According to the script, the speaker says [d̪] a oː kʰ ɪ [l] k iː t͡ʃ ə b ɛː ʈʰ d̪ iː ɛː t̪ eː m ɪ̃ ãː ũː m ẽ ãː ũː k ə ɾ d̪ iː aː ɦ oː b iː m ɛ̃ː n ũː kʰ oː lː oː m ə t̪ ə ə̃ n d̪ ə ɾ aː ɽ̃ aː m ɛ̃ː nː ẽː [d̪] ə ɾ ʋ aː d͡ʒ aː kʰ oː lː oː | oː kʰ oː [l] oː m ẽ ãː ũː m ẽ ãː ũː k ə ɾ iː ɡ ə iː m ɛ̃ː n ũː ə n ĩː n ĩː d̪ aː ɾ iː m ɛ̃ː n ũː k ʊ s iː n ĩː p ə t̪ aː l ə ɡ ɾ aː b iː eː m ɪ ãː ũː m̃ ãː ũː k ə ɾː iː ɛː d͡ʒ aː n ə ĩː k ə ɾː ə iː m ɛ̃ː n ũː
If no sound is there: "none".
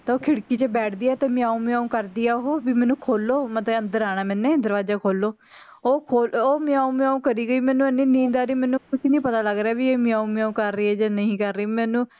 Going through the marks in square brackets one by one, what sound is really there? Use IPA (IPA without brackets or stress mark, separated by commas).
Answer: t̪, ɽ, d̪, l